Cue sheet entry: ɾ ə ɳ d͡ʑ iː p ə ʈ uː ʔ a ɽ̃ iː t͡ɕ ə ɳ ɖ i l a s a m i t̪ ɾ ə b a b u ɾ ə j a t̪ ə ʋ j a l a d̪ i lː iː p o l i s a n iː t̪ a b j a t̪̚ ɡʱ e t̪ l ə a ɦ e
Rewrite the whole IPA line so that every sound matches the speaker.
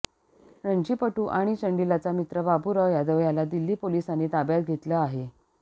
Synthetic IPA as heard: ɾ ə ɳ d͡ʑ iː p ə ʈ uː ʔ a ɽ̃ i t͡ɕ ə ɳ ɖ i l a t͡s a m i t̪ ɾ ə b a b u ɾ ə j a d̪ ə ʋ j a l a d̪ i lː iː p o l i s a n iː t̪ a b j a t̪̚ ɡʱ e t̪ l ə a ɦ e